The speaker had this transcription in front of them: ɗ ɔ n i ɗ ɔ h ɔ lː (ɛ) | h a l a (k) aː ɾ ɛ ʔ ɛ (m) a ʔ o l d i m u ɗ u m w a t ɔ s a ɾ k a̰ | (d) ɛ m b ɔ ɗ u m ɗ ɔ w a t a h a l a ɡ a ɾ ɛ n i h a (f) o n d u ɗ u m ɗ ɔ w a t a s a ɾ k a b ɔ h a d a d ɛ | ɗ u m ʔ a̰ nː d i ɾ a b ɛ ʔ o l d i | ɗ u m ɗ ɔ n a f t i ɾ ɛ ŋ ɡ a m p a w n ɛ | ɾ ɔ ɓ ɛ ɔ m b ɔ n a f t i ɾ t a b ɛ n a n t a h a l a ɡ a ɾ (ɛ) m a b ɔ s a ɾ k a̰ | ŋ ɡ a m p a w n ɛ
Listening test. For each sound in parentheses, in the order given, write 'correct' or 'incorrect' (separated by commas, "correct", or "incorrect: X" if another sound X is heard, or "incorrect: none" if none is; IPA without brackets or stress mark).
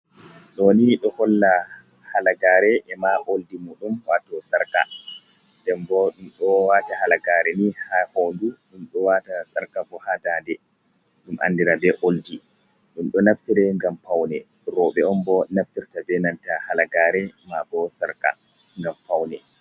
incorrect: a, incorrect: ɡ, correct, correct, incorrect: h, correct